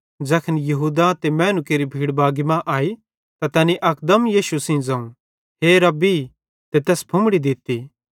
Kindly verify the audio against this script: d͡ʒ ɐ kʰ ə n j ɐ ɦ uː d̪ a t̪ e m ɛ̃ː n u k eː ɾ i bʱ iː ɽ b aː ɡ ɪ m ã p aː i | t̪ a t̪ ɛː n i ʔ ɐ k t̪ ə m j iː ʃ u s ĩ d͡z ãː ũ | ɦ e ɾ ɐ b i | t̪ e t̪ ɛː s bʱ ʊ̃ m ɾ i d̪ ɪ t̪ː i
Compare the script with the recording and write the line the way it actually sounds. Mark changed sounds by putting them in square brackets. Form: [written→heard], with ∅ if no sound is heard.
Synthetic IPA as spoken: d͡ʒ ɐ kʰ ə n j ɐ ɦ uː d̪ a t̪ e m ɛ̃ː n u k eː ɾ i bʱ iː ɽ b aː ɡ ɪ m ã [p→ʔ] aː i | t̪ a t̪ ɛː n i ʔ ɐ k [t̪→d̪] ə m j iː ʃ u s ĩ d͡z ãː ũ | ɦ e ɾ ɐ b i | t̪ e t̪ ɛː s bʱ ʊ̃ m [ɾ→ɽ] i d̪ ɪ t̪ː i

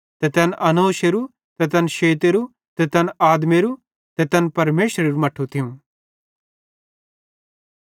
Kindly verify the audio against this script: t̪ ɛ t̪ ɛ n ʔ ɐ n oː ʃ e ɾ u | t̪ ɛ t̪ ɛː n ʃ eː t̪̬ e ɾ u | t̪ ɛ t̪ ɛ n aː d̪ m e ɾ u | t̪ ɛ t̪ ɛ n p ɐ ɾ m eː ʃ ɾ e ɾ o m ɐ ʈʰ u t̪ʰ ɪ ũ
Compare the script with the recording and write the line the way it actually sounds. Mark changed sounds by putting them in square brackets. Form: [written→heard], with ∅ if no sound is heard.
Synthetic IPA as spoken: t̪ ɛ t̪ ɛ n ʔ ɐ n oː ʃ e ɾ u | t̪ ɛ t̪ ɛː n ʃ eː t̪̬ e ɾ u | t̪ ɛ t̪ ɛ n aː d̪ m e ɾ u | t̪ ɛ t̪ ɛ n p ɐ ɾ m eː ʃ ɾ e ɾ [o→u] m ɐ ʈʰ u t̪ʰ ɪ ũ

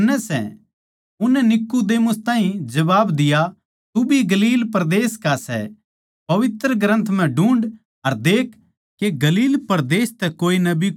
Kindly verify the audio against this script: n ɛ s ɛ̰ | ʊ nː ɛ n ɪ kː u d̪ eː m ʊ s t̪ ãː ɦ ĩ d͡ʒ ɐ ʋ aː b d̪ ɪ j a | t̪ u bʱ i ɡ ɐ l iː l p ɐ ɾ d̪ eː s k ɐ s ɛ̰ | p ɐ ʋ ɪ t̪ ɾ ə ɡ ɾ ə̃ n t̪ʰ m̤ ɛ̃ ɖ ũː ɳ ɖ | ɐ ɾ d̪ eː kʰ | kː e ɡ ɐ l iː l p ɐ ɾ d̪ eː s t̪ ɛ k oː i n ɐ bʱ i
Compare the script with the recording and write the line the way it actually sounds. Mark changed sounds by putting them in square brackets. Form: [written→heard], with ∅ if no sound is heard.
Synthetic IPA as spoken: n ɛ s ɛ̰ | ʊ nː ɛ n ɪ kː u d̪ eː m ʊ s t̪ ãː ɦ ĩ d͡ʒ ɐ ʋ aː b d̪ ɪ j a | t̪ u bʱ i ɡ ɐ l iː l p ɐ ɾ d̪ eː s k [ɐ→a] s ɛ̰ | p ɐ ʋ ɪ t̪ ɾ ə ɡ ɾ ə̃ n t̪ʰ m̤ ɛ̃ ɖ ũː ɳ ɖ | ɐ ɾ d̪ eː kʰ | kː e ɡ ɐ l iː l p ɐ ɾ d̪ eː s t̪ ɛ k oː i n ɐ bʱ i

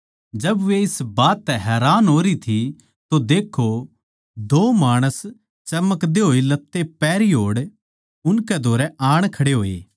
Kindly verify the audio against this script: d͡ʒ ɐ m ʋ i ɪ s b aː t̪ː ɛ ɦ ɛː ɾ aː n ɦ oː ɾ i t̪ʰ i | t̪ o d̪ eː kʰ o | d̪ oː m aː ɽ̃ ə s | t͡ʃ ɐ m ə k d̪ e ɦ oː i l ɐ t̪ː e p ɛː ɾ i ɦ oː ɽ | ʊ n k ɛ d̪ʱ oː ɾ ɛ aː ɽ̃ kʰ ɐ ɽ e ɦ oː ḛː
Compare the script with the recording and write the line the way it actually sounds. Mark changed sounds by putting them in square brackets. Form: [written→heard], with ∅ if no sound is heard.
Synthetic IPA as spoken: d͡ʒ ɐ [m→b] ʋ [i→e] ɪ s b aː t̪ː ɛ ɦ ɛː ɾ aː n ɦ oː ɾ i t̪ʰ i | t̪ o d̪ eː kʰ o | d̪ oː m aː ɽ̃ ə s | t͡ʃ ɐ m ə k d̪ e ɦ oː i l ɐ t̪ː e p ɛː ɾ i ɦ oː ɽ | ʊ n k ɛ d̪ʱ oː ɾ ɛ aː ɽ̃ kʰ ɐ ɽ e ɦ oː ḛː

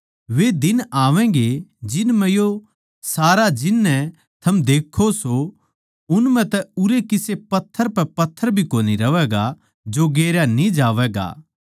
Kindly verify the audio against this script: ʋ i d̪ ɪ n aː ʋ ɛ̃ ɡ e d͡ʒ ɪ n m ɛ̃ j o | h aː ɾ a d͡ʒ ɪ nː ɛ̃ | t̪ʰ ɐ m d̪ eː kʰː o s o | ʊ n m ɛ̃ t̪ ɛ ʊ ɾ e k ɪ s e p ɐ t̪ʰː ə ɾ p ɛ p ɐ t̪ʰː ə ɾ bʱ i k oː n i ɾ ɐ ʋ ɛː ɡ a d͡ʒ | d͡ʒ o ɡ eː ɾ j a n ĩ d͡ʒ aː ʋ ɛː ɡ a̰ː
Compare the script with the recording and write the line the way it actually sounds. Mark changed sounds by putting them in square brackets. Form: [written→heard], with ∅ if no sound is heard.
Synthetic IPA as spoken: ʋ [i→e] d̪ ɪ n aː ʋ ɛ̃ ɡ e d͡ʒ ɪ n m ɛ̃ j o | [h→s] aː ɾ a d͡ʒ ɪ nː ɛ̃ | t̪ʰ ɐ m d̪ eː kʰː o s o | ʊ n m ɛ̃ t̪ ɛ ʊ ɾ e k ɪ s e p ɐ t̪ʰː ə ɾ p ɛ p ɐ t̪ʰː ə ɾ bʱ i k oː n i ɾ ɐ ʋ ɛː ɡ a [d͡ʒ→∅] | d͡ʒ o ɡ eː ɾ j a n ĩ d͡ʒ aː ʋ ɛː ɡ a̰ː

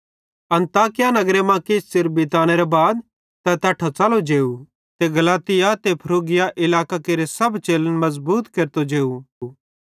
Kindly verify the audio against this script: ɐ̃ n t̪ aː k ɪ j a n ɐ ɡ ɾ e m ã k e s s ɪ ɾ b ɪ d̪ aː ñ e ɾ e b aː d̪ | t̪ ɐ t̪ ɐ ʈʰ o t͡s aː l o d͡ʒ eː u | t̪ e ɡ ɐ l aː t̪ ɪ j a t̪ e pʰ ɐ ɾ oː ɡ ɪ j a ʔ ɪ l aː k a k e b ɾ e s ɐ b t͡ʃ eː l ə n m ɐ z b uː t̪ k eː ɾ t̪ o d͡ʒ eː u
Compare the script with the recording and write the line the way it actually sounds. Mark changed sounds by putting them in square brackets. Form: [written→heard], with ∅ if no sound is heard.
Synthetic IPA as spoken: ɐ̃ n t̪ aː k ɪ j a n ɐ ɡ ɾ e m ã k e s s ɪ ɾ b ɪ [d̪→t̪] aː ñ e ɾ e b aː d̪ | t̪ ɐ t̪ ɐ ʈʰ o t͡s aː l o d͡ʒ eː u | t̪ e ɡ ɐ l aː t̪ ɪ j a t̪ e pʰ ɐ ɾ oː ɡ ɪ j a ʔ ɪ l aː k a k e [b→∅] ɾ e s ɐ b t͡ʃ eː l ə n m ɐ z b uː t̪ k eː ɾ t̪ o d͡ʒ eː u

